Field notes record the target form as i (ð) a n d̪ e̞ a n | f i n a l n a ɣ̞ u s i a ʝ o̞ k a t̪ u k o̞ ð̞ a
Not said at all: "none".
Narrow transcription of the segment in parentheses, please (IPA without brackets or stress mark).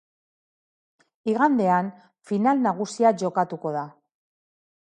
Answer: ɣ